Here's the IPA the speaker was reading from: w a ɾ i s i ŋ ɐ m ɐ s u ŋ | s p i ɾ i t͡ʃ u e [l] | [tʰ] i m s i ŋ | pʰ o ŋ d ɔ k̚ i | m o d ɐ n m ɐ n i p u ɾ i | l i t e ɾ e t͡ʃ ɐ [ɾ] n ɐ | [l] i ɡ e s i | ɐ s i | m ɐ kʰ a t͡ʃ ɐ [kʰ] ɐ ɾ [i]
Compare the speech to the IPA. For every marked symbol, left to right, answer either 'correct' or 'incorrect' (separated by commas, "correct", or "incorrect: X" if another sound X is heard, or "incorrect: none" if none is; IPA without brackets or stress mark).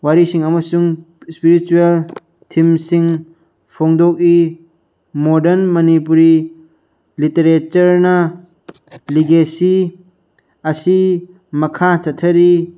correct, correct, correct, correct, incorrect: tʰ, correct